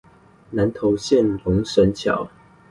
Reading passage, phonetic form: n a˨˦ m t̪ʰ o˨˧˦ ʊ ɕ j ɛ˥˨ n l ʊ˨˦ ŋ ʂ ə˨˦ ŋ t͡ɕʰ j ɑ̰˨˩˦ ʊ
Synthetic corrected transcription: n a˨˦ n t̪ʰ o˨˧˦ ʊ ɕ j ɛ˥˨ n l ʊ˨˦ ŋ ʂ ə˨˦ n t͡ɕʰ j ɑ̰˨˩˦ ʊ